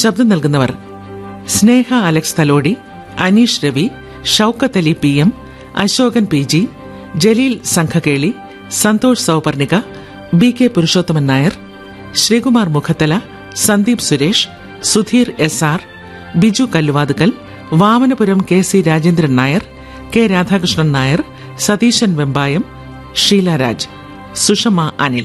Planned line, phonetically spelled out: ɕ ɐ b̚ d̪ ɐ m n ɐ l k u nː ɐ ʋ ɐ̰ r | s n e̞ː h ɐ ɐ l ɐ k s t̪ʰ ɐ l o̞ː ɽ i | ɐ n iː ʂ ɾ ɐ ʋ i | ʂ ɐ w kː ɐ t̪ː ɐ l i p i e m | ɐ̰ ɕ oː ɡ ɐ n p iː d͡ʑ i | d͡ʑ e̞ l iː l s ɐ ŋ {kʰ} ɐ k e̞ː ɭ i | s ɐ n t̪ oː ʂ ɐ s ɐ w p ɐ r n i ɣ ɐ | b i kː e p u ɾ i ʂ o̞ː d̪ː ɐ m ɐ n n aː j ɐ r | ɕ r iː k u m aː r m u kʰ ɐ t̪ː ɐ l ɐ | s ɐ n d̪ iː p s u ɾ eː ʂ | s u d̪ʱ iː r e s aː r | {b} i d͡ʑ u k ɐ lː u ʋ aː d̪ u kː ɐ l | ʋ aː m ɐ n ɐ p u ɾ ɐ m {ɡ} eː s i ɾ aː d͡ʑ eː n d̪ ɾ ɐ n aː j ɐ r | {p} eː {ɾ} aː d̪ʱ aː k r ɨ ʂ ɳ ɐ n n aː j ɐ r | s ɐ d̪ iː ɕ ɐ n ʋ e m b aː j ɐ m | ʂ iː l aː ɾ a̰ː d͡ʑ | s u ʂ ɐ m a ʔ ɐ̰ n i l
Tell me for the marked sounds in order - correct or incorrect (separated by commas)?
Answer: correct, correct, incorrect, incorrect, correct